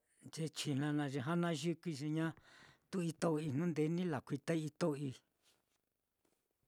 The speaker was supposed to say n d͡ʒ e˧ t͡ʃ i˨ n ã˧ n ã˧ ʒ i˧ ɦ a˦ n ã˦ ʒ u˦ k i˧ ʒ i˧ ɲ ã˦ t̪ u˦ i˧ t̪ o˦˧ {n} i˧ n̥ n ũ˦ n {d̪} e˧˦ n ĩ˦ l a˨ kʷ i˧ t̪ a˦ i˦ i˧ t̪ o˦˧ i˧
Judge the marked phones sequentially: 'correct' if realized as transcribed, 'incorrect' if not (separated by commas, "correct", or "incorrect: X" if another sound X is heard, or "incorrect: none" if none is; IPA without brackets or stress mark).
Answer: incorrect: none, correct